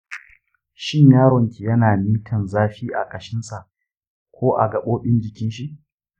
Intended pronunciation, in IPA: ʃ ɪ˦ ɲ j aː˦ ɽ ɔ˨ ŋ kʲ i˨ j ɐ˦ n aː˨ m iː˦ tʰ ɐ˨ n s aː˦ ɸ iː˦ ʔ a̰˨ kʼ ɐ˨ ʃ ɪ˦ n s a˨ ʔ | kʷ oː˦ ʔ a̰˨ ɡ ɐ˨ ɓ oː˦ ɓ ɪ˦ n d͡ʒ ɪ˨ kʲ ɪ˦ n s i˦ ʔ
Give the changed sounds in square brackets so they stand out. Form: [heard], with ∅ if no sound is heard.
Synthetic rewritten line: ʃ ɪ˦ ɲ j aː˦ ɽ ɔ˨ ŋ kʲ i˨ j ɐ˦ n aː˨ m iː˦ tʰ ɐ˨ n [z] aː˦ ɸ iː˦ ʔ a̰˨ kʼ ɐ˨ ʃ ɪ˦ n s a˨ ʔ | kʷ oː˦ ʔ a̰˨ ɡ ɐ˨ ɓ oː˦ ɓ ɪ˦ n d͡ʒ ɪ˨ kʲ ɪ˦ n [ʃ] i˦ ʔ